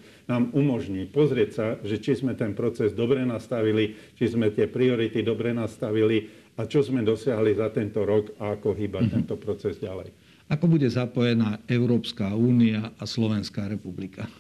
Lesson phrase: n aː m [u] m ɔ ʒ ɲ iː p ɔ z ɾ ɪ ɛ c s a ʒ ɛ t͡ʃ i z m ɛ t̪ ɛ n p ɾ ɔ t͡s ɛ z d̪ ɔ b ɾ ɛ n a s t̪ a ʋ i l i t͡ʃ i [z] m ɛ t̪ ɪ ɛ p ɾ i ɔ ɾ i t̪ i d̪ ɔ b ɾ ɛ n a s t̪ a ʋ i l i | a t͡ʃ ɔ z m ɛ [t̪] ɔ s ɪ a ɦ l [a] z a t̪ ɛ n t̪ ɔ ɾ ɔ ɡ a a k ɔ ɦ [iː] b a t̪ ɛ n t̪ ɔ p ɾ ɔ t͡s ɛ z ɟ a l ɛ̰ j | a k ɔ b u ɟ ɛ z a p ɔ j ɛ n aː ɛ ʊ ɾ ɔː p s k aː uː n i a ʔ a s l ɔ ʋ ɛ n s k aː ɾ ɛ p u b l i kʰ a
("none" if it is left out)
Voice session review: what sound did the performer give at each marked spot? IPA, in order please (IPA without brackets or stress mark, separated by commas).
u, z, d̪, i, iː